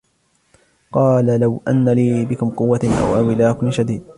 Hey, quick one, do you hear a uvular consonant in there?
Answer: yes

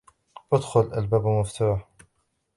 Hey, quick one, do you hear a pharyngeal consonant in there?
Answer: yes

